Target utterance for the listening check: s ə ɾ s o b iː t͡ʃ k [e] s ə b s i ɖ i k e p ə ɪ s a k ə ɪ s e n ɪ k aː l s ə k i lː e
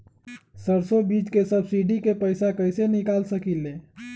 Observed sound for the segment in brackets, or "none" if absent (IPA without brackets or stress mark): e